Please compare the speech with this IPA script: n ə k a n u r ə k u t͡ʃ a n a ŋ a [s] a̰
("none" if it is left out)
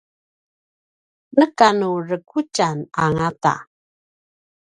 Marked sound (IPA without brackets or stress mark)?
t